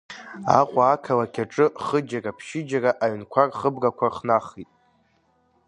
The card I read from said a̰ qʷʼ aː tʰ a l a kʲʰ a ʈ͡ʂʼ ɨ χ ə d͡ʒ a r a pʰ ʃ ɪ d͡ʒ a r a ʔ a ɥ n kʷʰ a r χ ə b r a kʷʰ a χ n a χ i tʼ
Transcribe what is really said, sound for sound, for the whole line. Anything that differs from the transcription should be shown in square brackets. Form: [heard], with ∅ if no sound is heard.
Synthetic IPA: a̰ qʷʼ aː [kʰ] a l a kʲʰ a ʈ͡ʂʼ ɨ χ ə d͡ʒ a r a pʰ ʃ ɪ d͡ʒ a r a ʔ a ɥ n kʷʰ a r χ ə b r a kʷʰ a χ n a χ i tʼ